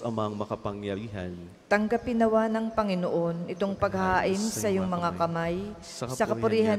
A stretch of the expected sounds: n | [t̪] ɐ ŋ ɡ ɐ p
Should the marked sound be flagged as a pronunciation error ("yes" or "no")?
no